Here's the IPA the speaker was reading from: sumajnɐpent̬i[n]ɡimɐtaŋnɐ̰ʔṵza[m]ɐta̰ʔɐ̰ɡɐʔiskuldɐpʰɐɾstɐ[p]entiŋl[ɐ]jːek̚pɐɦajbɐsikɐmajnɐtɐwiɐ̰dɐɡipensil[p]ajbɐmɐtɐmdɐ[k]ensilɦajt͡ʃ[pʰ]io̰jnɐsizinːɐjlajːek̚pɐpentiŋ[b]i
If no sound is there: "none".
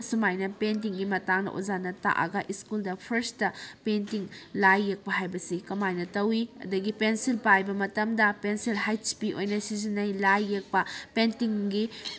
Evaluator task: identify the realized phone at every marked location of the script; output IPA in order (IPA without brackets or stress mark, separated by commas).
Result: ŋ, n, p, a, p, p, p, ɡ